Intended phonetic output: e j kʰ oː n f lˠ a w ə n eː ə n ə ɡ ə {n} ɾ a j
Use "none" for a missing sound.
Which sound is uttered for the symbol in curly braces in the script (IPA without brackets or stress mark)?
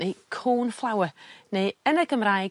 m